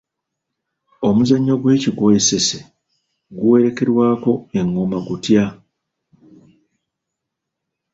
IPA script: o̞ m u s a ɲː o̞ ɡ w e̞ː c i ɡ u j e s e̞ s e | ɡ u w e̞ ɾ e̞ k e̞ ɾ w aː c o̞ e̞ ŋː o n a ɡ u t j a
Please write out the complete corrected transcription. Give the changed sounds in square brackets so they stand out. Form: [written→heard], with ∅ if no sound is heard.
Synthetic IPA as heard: o̞ m u [s→z] a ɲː o̞ ɡ w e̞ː c i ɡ [u→o] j e s e̞ s e | ɡ u w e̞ ɾ e̞ k e̞ ɾ w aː [c→k] o̞ e̞ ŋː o [n→m] a ɡ u t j a